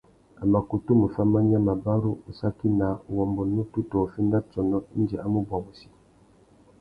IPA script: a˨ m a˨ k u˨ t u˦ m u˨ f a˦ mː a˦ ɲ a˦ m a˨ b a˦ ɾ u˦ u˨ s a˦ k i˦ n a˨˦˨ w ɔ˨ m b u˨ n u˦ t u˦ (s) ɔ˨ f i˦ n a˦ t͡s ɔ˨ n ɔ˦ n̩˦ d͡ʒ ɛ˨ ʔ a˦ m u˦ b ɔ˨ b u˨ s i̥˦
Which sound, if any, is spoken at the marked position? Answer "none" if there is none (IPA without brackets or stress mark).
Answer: t